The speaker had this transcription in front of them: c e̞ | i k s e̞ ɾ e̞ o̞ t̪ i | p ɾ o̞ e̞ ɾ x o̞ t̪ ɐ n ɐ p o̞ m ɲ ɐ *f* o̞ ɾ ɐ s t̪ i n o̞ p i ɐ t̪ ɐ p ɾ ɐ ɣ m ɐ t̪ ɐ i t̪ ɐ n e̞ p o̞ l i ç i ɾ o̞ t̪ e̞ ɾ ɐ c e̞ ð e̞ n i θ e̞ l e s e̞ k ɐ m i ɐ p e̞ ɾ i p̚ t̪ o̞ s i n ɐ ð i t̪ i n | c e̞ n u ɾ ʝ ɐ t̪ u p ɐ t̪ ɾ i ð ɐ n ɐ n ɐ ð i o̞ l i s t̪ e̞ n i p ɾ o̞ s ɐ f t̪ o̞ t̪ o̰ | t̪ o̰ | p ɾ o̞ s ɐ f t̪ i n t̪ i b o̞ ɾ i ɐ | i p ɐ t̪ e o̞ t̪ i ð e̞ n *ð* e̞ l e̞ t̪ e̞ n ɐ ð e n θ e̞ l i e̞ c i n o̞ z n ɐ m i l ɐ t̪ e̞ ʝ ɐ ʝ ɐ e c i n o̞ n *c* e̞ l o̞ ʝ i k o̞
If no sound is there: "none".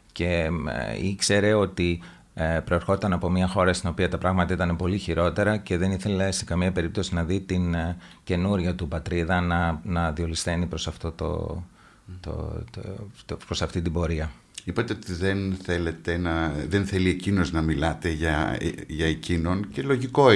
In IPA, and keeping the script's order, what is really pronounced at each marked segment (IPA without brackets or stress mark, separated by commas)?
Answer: x, θ, c